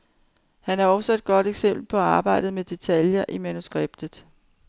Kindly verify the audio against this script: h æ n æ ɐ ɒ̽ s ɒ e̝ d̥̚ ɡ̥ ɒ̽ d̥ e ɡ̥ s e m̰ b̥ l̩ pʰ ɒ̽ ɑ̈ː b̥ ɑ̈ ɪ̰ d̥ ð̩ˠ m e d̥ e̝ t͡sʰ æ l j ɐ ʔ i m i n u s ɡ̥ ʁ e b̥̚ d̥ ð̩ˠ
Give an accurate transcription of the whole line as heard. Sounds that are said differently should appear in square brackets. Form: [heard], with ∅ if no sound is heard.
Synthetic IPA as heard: h æ n æ ɐ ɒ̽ s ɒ e̝ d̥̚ ɡ̥ ɒ̽ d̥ e ɡ̥ s e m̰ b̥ l̩ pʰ ɒ̽ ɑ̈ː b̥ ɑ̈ ɪ̰ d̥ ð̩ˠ m e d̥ e̝ t͡sʰ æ l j ɐ ʔ i m [æ] n u s ɡ̥ ʁ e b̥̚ d̥ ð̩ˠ

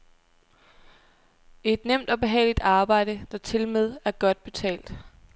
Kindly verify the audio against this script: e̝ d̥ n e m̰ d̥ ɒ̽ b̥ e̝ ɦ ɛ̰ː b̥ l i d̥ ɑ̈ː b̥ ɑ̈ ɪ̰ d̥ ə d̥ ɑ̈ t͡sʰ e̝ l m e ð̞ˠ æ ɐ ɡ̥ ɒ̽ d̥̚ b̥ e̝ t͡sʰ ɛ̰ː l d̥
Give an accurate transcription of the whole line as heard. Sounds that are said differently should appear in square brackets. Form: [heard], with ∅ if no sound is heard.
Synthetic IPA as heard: e̝ d̥ n e m̰ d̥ ɒ̽ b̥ e̝ ɦ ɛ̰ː [∅] l i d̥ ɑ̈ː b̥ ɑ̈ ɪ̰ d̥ ə d̥ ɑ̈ t͡sʰ e̝ l m e ð̞ˠ æ ɐ ɡ̥ ɒ̽ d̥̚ b̥ e̝ t͡sʰ ɛ̰ː l d̥

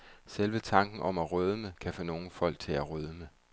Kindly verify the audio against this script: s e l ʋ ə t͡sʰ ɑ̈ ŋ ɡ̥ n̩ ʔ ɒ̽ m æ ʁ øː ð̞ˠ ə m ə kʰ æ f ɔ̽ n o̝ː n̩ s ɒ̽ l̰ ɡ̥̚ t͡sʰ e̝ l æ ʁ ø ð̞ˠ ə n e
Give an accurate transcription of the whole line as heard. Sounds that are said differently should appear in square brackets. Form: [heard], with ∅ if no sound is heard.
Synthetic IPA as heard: s e l ʋ ə t͡sʰ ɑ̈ ŋ ɡ̥ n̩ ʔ ɒ̽ m æ ʁ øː ð̞ˠ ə m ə kʰ æ f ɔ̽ n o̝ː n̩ [f] ɒ̽ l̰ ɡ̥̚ t͡sʰ e̝ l æ ʁ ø ð̞ˠ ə [m] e

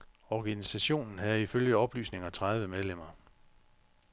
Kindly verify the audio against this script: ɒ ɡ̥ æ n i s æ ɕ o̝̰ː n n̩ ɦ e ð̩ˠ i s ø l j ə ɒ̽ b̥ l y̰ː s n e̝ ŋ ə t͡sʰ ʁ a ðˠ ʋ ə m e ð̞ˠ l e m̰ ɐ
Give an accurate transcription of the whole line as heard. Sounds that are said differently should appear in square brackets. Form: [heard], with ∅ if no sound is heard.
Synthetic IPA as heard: ɒ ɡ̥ æ n i s æ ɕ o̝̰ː n n̩ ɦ [æ] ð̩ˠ i [f] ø l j ə ɒ̽ b̥ l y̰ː s n e̝ ŋ [ɐ] t͡sʰ ʁ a ðˠ ʋ ə m e ð̞ˠ l e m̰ ɐ

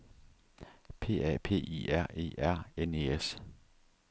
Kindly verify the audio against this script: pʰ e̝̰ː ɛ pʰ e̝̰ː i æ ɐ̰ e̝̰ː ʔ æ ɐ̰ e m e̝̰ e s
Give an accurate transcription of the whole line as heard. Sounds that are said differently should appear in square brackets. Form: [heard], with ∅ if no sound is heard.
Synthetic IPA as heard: pʰ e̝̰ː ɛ pʰ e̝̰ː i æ ɐ̰ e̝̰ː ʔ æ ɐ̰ e [n] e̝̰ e s

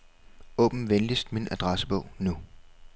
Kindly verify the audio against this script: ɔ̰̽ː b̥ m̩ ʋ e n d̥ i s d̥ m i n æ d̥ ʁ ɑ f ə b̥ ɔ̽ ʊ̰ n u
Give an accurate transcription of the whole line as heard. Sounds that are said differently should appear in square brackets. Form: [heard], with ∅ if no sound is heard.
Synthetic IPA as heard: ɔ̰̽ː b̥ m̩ ʋ e n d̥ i s d̥ m i n æ d̥ ʁ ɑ [s] ə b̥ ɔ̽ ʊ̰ n u

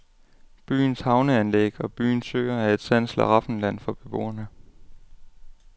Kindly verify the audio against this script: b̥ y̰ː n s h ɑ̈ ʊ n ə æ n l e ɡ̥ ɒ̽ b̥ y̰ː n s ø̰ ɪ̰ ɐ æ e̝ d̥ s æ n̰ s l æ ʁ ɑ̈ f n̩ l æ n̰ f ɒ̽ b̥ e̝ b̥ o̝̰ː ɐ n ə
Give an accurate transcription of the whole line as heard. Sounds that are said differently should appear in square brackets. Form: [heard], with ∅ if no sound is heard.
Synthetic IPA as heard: b̥ y̰ː n s h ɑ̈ ʊ n ə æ n l e ɡ̥ ɒ̽ b̥ y̰ː n s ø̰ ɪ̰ ɐ æ e̝ d̥ s æ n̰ s l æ ʁ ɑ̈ f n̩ l æ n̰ f ɒ̽ b̥ e̝ b̥ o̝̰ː ɐ n ə

